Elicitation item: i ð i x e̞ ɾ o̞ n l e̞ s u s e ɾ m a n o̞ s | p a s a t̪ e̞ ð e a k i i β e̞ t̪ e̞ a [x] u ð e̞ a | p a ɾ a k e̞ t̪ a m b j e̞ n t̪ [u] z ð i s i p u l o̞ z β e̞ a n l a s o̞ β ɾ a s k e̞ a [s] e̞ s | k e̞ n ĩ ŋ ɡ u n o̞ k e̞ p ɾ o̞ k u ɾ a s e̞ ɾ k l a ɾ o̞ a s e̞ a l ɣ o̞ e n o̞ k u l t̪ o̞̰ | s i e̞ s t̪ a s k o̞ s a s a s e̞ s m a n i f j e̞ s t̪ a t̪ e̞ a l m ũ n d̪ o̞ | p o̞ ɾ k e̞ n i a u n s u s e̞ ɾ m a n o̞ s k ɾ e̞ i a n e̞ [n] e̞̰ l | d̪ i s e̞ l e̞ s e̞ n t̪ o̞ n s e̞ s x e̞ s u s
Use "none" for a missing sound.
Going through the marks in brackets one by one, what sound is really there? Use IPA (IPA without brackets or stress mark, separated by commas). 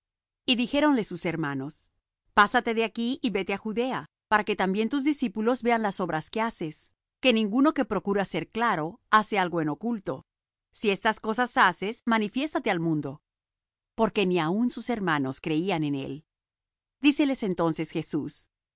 x, u, s, n